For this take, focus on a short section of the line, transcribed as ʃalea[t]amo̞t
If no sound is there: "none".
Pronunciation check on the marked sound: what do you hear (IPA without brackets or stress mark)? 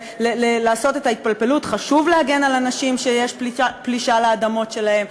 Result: d